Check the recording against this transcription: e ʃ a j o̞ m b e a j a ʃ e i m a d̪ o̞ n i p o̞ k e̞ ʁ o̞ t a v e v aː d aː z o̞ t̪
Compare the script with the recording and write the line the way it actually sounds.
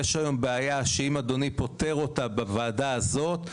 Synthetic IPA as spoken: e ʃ a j o̞ m b e a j a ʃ e i m a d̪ o̞ n i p o̞ t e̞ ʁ o̞ t a b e v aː d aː z o̞ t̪